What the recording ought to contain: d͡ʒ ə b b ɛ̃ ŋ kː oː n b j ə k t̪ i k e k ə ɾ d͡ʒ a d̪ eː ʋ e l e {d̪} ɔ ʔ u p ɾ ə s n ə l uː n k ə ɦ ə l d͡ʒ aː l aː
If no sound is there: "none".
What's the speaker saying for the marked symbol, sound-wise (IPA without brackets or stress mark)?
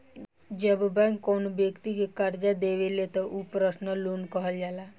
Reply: t̪